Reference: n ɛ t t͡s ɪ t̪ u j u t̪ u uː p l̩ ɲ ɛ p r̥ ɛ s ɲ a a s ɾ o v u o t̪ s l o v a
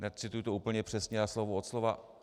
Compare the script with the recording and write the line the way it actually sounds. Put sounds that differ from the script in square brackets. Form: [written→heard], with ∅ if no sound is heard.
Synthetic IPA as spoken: n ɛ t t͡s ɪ t̪ u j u t̪ [u→o] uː p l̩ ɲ ɛ p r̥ ɛ s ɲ [a→ɛ] a s [ɾ→l] o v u o t̪ s l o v a